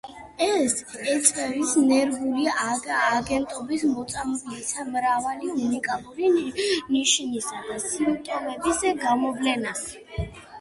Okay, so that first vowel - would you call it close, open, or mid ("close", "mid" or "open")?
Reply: mid